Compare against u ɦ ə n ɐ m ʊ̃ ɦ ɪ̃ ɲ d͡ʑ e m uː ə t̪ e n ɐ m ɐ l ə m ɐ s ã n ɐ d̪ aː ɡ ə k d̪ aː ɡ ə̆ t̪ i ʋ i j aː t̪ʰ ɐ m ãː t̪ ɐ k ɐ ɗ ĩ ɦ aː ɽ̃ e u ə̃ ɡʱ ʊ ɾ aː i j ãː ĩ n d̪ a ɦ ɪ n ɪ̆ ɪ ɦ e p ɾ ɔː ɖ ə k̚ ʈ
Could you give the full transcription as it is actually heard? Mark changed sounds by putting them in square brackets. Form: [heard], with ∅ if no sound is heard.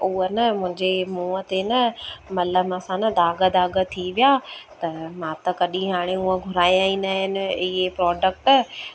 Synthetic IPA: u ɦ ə n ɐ m ʊ̃ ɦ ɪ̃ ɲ d͡ʑ e m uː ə t̪ e n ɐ m ɐ l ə m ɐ s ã n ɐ d̪ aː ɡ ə [∅] d̪ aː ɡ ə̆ [t̪ʰ] i ʋ i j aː [t̪] ɐ m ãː t̪ ɐ k ɐ ɗ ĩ ɦ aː ɽ̃ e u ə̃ ɡʱ ʊ ɾ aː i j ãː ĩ n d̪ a ɦ ɪ n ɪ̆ ɪ ɦ e p ɾ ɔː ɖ ə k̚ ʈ

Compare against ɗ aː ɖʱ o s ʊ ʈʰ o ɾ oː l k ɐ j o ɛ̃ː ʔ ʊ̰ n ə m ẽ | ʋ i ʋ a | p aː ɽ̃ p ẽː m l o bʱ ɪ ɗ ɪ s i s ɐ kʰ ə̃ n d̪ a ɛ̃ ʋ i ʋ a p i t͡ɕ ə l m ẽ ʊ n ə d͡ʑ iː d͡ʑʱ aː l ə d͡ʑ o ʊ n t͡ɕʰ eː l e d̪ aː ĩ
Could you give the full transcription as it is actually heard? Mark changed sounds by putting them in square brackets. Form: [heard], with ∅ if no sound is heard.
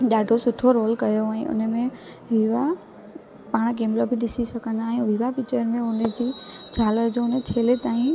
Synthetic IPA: ɗ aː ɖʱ o s ʊ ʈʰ o ɾ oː l k ɐ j o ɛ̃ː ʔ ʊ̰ n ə m ẽ | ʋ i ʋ a | p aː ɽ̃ [k] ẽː m l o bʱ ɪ ɗ ɪ s i s ɐ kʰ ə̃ n d̪ a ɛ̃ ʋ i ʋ a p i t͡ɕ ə [ɾ] m ẽ ʊ n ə d͡ʑ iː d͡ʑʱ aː l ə d͡ʑ o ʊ n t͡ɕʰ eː l e [t̪] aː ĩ

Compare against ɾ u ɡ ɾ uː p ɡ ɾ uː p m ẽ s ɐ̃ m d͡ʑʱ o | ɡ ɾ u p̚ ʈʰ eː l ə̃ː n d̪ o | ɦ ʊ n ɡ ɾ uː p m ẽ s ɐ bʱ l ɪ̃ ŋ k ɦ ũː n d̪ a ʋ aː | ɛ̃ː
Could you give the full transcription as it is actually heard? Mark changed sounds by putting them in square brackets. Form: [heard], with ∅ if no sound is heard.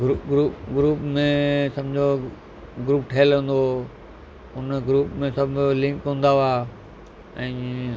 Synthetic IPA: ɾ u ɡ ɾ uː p ɡ ɾ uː p m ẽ s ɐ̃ m d͡ʑʱ o | ɡ ɾ [uː] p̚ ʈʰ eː l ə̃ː n d̪ o | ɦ ʊ n ɡ ɾ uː p m ẽ s ɐ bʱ l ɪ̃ ŋ k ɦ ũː n d̪ a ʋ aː | ɛ̃ː

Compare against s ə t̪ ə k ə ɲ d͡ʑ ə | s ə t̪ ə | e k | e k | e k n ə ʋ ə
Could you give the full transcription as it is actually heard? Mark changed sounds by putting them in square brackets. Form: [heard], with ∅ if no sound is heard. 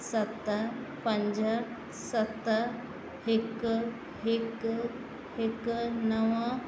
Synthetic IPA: s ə t̪ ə [p] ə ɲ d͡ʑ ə | s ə t̪ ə | e k | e k | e k n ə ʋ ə

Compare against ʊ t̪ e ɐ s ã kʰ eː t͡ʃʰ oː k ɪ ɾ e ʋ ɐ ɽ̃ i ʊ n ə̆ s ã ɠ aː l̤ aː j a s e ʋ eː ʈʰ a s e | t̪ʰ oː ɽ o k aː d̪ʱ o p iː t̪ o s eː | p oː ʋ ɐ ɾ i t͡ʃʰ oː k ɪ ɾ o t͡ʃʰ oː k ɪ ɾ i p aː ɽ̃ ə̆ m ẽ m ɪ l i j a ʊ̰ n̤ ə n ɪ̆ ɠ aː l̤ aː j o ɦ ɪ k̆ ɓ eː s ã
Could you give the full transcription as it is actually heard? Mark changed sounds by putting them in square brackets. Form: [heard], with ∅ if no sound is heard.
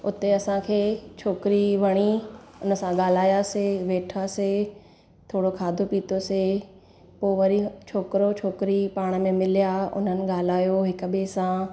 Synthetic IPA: ʊ t̪ e ɐ s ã kʰ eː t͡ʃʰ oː k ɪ ɾ [i] ʋ ɐ ɽ̃ i ʊ n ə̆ s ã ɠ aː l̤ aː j a s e ʋ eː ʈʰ a s e | t̪ʰ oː ɽ o [kʰ] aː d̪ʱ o p iː t̪ o s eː | p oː ʋ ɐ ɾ i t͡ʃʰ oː k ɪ ɾ o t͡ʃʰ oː k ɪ ɾ i p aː ɽ̃ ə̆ m ẽ m ɪ l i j a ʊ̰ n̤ ə n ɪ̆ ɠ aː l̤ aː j o ɦ ɪ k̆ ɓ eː s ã

